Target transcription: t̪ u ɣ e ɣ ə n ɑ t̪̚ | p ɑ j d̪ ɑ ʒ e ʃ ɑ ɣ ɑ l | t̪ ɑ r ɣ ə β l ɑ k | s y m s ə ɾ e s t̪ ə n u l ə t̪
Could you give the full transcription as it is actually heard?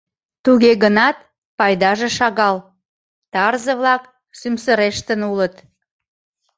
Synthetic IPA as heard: t̪ u ɣ e ɣ ə n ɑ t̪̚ | p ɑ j d̪ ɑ ʒ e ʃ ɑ ɣ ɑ l | t̪ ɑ r z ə β l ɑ k | s y m s ə ɾ e ʃ t̪ ə n u l ə t̪